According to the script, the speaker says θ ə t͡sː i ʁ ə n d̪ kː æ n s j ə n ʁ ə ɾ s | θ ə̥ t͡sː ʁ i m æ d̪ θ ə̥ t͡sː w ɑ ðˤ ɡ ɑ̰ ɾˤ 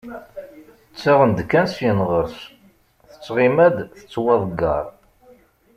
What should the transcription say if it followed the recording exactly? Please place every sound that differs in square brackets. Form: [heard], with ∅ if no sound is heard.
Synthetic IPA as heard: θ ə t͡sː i ʁ ə n d̪ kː æ n s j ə n ʁ ə ɾ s | θ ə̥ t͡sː ʁ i m æ d̪ θ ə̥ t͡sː w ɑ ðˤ ɡ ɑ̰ ɾˤ